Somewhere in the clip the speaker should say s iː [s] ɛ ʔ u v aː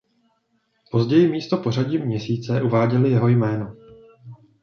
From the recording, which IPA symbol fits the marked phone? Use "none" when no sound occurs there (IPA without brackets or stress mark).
t͡s